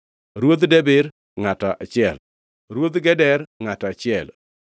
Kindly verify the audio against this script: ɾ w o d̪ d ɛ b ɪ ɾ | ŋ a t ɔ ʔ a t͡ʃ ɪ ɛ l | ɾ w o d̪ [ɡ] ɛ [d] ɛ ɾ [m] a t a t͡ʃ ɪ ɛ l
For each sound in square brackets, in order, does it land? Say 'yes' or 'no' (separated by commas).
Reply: yes, yes, no